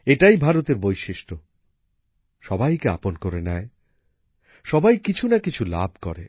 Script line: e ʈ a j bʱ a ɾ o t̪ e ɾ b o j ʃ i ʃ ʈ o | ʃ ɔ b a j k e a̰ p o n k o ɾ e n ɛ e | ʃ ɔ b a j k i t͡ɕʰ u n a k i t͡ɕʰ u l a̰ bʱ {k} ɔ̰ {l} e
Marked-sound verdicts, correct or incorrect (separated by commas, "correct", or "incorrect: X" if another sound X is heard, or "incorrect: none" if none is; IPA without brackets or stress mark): correct, incorrect: ɾ